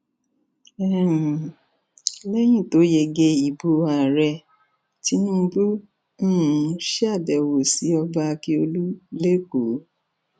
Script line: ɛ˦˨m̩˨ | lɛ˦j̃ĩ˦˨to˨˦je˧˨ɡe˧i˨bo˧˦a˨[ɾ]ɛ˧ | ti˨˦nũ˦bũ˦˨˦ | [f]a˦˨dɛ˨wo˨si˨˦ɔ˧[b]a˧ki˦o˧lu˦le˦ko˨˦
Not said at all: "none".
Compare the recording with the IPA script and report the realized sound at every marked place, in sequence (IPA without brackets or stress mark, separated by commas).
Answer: ɾ, ʃ, b